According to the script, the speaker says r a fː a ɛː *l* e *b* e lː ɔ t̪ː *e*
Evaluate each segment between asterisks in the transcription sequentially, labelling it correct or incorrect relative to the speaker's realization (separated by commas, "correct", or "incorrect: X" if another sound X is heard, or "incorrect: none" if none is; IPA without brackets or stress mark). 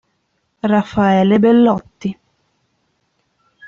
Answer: correct, correct, incorrect: i